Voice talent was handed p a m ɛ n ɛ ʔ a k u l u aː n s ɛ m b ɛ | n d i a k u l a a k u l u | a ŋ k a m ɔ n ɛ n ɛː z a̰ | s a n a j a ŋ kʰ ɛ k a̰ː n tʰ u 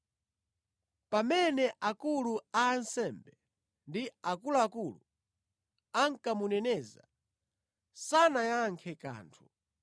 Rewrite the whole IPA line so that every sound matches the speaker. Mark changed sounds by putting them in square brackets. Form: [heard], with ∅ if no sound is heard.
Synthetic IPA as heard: p a m ɛ n ɛ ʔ a k u l u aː n s ɛ m b ɛ | n d i a k u l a a k u l u | a ŋ k a m [u] n ɛ n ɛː z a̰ | s a n a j a ŋ kʰ ɛ k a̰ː n tʰ u